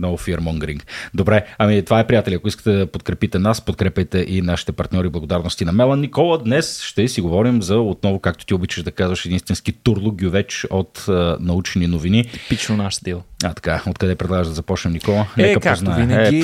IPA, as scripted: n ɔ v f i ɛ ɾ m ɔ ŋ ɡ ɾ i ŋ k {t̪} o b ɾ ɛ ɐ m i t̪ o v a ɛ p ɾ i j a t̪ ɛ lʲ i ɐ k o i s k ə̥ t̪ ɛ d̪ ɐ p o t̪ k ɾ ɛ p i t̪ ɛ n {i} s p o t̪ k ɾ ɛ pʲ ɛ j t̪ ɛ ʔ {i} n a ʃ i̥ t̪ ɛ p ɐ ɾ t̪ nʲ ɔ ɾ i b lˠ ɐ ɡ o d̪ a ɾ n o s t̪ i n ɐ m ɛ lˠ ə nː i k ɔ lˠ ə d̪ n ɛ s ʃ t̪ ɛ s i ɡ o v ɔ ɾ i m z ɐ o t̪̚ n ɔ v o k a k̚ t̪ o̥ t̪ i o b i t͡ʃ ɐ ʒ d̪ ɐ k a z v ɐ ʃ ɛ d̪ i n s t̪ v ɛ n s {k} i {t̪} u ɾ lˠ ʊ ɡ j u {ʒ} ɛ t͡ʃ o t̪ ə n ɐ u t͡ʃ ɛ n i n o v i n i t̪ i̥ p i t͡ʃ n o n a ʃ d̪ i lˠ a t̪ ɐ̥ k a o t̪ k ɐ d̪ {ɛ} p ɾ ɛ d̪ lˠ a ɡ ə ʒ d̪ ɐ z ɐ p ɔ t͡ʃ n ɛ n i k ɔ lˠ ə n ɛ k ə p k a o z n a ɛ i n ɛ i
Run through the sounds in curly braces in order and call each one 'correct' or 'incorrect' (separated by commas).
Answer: incorrect, incorrect, correct, correct, correct, incorrect, correct